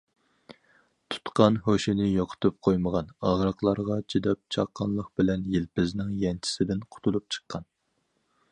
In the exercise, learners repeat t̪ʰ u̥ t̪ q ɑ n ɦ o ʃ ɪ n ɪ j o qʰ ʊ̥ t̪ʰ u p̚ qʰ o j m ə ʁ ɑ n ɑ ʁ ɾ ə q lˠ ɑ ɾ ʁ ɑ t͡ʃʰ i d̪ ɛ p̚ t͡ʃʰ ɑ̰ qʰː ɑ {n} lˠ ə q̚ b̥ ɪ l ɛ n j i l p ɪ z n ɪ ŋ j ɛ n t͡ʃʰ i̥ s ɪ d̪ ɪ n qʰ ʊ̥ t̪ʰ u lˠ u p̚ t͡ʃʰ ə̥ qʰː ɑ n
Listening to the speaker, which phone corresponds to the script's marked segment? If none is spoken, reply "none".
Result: n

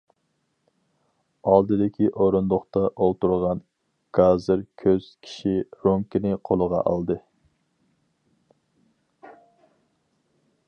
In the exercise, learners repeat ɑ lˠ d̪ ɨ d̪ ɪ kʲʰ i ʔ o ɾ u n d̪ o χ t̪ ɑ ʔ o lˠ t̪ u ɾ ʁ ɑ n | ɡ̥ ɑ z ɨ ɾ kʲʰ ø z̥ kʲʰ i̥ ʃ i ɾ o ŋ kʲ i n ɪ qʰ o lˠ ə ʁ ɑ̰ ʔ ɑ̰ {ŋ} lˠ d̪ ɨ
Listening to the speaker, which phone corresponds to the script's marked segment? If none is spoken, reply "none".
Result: none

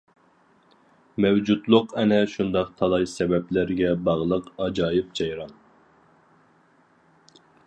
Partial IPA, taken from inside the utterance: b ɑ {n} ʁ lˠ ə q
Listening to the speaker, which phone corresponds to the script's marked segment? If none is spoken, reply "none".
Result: none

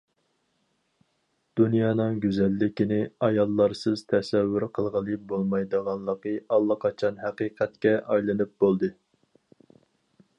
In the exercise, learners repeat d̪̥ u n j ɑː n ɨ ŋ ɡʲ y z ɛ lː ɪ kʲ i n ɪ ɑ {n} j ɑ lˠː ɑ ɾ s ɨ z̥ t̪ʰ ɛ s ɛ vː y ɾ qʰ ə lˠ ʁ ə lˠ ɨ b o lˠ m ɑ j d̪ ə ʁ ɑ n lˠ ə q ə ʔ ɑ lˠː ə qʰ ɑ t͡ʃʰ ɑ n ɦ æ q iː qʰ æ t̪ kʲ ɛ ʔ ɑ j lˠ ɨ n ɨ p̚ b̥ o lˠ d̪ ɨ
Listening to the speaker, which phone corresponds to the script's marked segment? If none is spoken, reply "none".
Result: none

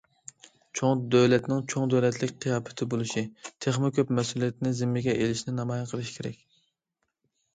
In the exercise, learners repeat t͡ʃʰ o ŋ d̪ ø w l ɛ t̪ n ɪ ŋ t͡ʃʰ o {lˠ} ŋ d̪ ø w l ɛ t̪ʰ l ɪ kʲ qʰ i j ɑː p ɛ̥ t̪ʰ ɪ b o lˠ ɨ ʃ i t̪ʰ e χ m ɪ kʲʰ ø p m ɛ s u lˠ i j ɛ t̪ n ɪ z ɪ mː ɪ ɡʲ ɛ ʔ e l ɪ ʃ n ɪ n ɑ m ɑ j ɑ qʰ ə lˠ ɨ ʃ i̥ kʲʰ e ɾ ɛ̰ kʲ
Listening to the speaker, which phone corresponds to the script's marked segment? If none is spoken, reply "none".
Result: none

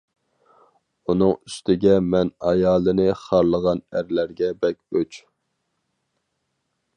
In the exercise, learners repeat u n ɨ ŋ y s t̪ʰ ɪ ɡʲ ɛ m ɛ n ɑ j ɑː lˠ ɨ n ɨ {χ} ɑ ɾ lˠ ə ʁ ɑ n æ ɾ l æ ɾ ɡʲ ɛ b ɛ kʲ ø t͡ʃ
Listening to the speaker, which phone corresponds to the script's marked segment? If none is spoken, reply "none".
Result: χ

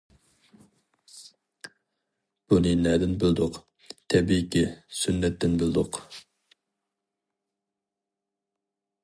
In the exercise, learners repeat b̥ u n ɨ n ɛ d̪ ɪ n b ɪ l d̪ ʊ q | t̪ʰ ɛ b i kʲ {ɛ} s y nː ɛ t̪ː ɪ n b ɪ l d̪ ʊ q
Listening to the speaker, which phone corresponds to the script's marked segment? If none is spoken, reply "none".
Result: i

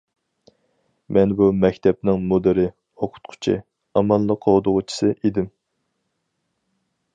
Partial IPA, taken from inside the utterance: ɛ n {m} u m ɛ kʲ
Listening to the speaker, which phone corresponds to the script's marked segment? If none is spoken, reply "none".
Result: b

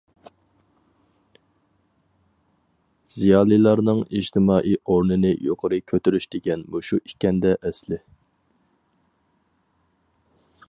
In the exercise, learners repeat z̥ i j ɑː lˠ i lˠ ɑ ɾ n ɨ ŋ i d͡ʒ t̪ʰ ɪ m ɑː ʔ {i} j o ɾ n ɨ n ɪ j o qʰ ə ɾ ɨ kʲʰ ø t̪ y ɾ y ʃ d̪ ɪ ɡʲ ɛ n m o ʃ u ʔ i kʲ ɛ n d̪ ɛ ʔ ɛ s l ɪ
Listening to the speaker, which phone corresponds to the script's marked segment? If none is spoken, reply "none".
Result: i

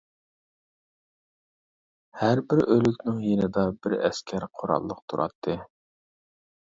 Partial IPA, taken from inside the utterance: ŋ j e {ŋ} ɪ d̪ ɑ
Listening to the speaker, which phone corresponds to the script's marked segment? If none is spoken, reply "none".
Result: n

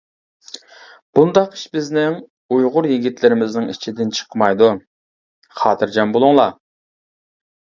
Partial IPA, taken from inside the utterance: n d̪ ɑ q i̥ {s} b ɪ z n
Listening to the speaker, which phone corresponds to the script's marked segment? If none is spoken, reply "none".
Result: ʃ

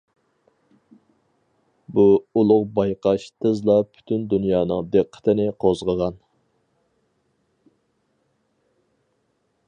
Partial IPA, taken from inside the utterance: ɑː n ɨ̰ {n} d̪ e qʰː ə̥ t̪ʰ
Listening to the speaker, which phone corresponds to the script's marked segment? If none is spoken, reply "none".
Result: ŋ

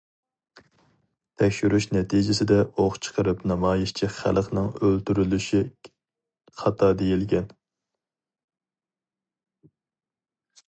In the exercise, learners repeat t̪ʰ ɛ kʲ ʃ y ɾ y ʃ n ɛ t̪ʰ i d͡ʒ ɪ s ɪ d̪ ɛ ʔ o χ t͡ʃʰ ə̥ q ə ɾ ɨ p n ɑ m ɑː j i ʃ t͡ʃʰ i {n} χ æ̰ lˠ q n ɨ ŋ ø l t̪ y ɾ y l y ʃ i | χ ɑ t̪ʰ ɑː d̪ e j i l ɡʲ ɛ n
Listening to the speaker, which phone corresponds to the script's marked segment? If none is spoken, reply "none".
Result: none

